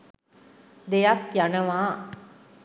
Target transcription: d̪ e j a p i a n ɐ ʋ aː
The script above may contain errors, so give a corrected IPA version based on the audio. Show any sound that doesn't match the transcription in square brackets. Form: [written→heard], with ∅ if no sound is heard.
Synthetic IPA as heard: d̪ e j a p [i→j] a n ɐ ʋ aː